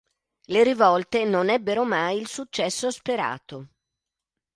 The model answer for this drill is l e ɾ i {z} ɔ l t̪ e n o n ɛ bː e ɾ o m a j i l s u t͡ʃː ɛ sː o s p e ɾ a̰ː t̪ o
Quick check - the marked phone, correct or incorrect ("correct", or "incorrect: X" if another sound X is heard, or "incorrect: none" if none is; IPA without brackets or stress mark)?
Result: incorrect: v